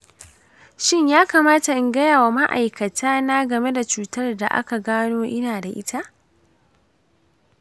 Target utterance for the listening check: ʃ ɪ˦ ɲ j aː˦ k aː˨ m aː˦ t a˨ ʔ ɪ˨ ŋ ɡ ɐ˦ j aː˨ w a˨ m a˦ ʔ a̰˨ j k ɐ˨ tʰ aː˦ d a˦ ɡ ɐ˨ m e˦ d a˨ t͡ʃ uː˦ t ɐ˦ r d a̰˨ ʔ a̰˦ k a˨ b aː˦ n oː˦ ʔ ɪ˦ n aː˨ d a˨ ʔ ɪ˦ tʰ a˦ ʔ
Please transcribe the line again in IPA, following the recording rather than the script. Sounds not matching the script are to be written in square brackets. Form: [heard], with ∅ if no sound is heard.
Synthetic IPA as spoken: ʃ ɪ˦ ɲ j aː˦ k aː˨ m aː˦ t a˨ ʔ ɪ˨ ŋ ɡ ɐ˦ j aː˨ w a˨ m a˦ ʔ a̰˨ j k ɐ˨ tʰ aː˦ [n] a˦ ɡ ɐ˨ m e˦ d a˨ t͡ʃ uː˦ t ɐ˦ r d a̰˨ ʔ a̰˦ k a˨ [ɡ] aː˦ n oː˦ ʔ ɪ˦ n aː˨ d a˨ ʔ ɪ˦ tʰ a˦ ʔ